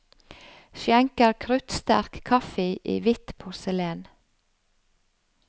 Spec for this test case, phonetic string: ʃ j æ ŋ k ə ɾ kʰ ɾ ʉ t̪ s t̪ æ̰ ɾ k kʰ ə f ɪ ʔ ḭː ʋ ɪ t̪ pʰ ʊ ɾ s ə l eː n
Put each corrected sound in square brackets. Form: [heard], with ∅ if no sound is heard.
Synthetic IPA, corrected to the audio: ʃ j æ ŋ k ə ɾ kʰ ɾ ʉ t̪ s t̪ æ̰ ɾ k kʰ [ɑ] f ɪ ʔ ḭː ʋ ɪ t̪ pʰ ʊ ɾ s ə l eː n

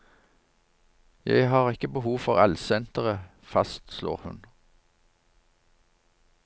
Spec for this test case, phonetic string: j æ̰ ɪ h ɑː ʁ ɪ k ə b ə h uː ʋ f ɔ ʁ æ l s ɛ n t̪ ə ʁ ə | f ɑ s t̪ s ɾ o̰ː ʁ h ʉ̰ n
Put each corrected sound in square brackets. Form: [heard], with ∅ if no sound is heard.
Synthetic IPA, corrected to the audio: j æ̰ ɪ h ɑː ʁ ɪ k ə b ə h uː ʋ f ɔ ʁ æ l s ɛ n t̪ ə ʁ ə | f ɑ s t̪ s [l] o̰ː ʁ h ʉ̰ n

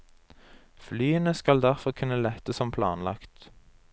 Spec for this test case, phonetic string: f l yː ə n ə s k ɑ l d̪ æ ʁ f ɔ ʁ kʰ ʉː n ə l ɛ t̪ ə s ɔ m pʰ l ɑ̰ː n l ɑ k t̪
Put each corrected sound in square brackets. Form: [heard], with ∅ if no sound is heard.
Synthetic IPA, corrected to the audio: f l yː ə n ə s k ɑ l d̪ æ ʁ f ɔ ʁ kʰ [ʉ] n ə l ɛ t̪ ə s ɔ m pʰ l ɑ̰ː n l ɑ k t̪

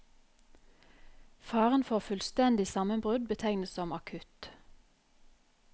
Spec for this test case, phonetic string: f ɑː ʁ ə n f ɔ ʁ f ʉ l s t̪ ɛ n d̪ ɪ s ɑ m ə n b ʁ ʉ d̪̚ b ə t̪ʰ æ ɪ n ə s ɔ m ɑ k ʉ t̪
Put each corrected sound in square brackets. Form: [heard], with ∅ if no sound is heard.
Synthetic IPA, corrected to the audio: f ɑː ʁ ə n f ɔ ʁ f ʉ l s t̪ ɛ n d̪ ɪ s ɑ m ə n b ʁ ʉ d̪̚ b ə t̪ʰ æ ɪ n ə s ɔ m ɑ [kʰ] ʉ t̪

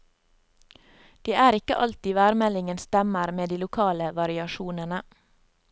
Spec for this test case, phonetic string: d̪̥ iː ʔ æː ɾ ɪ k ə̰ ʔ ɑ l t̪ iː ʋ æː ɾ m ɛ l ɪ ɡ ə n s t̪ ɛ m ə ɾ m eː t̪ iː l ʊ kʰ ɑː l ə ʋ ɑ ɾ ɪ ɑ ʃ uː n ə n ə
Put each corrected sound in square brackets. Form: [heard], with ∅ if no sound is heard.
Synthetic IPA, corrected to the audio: d̪̥ iː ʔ æː ɾ ɪ k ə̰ ʔ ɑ l t̪ iː ʋ æː ɾ m ɛ l ɪ [ŋ] ə n s t̪ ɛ m ə ɾ m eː [d̪] iː l ʊ kʰ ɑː l ə ʋ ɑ ɾ ɪ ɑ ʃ uː n ə n ə

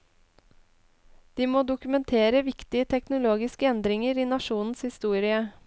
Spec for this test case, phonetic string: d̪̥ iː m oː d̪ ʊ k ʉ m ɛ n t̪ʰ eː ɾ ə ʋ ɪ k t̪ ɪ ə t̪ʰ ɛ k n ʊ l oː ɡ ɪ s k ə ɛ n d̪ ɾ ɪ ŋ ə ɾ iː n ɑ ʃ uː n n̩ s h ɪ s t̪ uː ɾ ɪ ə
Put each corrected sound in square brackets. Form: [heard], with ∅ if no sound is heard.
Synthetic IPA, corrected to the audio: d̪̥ iː m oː d̪ ʊ k ʉ m ɛ n t̪ʰ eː ɾ ə ʋ ɪ k t̪ ɪ ə t̪ʰ ɛ k n ʊ l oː ɡ ɪ s k ə ɛ n d̪ ɾ ɪ ŋ ə ɾ iː n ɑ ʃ uː n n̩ s h ɪ s t̪ uː ɾ ɪ ə

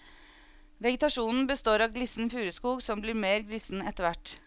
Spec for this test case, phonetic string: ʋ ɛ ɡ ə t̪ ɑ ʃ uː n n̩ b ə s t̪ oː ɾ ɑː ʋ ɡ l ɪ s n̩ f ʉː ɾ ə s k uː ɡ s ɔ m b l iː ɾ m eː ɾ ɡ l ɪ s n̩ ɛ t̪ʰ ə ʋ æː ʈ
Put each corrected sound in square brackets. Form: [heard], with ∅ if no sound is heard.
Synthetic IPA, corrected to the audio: ʋ ɛ ɡ ə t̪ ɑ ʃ uː n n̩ b ə s t̪ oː ɾ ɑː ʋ ɡ l ɪ s n̩ f ʉː ɾ ə s k uː ɡ s ɔ m b l iː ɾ m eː ɾ ɡ l ɪ s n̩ ɛ [t̪] ə ʋ [æ] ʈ

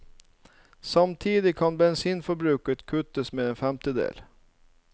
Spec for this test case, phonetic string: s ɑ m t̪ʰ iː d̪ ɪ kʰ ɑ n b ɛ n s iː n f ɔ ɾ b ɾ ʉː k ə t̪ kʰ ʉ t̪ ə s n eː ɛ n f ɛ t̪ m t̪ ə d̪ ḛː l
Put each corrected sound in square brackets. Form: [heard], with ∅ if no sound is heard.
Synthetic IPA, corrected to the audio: s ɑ m t̪ʰ iː d̪ ɪ kʰ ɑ n b ɛ n s iː n f ɔ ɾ b ɾ ʉː k ə t̪ kʰ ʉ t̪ ə s [m] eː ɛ n f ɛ [∅] m t̪ ə d̪ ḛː l

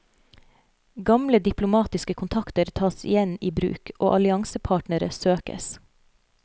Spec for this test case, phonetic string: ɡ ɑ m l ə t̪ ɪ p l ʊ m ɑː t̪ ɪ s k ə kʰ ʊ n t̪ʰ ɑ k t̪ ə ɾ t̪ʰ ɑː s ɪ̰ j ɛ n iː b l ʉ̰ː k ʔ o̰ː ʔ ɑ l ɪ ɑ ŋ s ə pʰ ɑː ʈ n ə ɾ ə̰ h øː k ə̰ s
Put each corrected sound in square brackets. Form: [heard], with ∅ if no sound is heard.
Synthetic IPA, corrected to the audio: ɡ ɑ m l ə [d̪] ɪ p l ʊ m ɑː t̪ ɪ s k ə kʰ ʊ n t̪ʰ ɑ k t̪ ə ɾ t̪ʰ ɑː s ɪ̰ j ɛ n iː b [ɾ] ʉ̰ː k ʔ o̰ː ʔ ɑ l ɪ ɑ ŋ s ə pʰ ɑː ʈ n ə ɾ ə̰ [s] øː k ə̰ s

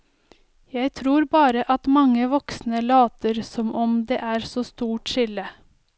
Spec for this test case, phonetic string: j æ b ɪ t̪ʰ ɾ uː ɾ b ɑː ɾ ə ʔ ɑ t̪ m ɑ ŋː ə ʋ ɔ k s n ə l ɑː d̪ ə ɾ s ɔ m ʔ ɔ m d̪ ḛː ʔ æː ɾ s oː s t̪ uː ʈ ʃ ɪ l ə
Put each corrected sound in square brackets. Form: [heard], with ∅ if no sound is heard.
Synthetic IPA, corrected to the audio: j æ [∅] ɪ t̪ʰ ɾ uː ɾ b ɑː ɾ ə ʔ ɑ t̪ m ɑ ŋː ə ʋ ɔ k s n ə l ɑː [t̪] ə ɾ s ɔ m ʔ ɔ m d̪ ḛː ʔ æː ɾ s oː s t̪ uː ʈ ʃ ɪ l ə

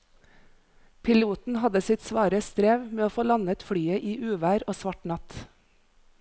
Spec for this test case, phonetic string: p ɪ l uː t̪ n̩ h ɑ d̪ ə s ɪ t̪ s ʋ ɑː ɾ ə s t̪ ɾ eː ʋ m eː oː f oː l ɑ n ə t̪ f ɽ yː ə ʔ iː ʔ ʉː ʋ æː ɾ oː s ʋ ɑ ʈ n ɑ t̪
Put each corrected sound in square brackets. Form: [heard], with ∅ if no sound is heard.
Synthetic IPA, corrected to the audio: [pʰ] ɪ l uː t̪ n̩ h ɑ d̪ ə s ɪ t̪ s ʋ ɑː ɾ ə s t̪ ɾ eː ʋ m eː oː f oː l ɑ n ə t̪ f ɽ yː ə ʔ iː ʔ ʉː ʋ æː ɾ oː s ʋ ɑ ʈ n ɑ t̪

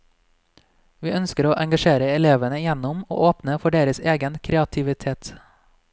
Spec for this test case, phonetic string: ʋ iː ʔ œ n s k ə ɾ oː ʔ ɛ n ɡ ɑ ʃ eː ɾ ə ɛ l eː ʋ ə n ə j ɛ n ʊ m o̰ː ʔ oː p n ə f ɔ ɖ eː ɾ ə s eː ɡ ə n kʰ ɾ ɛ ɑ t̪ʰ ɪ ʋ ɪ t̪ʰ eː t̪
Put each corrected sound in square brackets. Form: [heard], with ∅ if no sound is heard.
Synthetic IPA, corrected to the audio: ʋ iː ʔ œ n s k ə ɾ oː ʔ ɛ [ŋ] ɡ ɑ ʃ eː ɾ ə ɛ l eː ʋ ə n ə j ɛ n ʊ m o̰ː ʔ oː p n ə f ɔ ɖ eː ɾ ə s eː ɡ ə n kʰ ɾ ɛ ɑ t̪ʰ ɪ ʋ ɪ t̪ʰ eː t̪

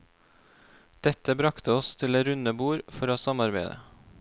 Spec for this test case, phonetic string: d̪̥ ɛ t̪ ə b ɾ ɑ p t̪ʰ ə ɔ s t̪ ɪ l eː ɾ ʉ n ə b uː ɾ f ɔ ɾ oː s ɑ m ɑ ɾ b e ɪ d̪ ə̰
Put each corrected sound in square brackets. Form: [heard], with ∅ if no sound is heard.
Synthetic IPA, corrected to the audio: d̪̥ ɛ t̪ ə b ɾ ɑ [k] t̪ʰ ə ɔ s [t̪ʰ] ɪ l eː ɾ ʉ n ə b uː ɾ f ɔ ɾ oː s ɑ m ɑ ɾ b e ɪ d̪ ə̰

